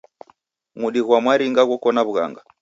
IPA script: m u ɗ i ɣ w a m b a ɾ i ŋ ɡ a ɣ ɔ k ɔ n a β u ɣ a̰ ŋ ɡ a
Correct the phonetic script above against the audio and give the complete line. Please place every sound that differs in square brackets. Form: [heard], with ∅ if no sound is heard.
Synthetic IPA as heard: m u ɗ i ɣ w a m [w] a ɾ i ŋ ɡ a ɣ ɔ k ɔ n a β u ɣ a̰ ŋ ɡ a